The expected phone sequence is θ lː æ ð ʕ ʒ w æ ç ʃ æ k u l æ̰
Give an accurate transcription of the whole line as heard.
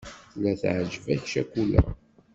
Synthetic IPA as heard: θ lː æ θ ʕ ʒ v æ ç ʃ æ k u l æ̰